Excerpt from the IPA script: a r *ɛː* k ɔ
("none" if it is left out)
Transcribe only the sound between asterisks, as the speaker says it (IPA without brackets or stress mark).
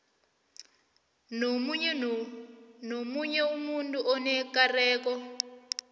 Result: ɛː